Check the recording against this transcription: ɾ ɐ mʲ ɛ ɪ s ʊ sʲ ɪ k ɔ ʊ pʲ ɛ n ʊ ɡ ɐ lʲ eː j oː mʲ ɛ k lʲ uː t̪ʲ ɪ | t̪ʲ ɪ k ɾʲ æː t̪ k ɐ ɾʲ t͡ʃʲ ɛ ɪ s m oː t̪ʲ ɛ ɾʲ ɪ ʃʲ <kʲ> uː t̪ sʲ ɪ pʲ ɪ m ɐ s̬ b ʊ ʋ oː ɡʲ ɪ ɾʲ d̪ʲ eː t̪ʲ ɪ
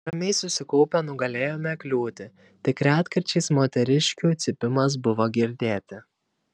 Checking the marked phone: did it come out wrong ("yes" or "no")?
no